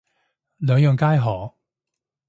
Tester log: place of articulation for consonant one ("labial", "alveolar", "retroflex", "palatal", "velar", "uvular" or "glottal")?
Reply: alveolar